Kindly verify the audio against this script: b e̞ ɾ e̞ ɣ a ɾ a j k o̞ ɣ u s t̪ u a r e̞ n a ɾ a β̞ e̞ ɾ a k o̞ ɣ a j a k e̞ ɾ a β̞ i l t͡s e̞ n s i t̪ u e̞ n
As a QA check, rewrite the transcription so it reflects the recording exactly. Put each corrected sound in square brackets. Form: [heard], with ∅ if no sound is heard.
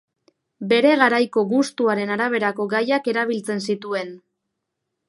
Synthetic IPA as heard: b e̞ ɾ e̞ ɣ a ɾ a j k o̞ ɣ u s t̪ u a [ɾ] e̞ n a ɾ a β̞ e̞ ɾ a k o̞ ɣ a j a k e̞ ɾ a β̞ i l t͡s e̞ n s i t̪ u e̞ n